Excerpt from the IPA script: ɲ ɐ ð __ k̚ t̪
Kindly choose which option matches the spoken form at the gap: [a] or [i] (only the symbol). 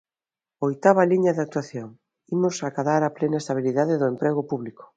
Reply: a